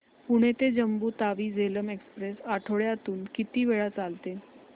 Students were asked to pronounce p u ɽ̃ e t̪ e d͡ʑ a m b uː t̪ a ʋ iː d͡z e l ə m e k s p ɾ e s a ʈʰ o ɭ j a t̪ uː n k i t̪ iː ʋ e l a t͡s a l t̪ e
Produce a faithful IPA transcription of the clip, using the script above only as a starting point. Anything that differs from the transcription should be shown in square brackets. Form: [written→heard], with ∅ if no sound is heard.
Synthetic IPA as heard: p u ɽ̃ e t̪ e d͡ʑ [a→ə] m b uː t̪ a ʋ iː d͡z e l ə m e k s p ɾ e s a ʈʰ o ɭ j a t̪ uː n k i t̪ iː ʋ e [l→ɭ] a t͡s a l t̪ e